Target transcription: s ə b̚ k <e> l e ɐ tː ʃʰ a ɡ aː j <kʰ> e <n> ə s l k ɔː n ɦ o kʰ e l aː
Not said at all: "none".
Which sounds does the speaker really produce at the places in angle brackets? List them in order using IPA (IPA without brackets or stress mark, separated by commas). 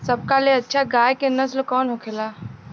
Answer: a, k, n